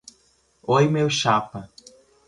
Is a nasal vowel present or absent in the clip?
absent